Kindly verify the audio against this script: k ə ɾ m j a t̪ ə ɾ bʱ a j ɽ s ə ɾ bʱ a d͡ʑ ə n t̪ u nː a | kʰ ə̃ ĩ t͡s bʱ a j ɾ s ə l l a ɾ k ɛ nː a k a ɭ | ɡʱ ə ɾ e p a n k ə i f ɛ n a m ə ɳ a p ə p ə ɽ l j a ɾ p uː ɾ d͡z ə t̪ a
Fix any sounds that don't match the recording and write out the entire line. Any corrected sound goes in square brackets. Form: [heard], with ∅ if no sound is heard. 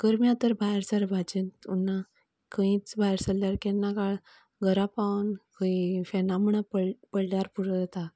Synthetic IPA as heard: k ə ɾ m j a t̪ ə ɾ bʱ a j [ɾ] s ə ɾ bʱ a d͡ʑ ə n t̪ u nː a | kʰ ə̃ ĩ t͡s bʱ a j ɾ s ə l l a ɾ k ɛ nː a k a ɭ | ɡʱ ə ɾ [a] p a n k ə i f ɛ n a m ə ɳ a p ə p ə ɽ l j a ɾ p [u] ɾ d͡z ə t̪ a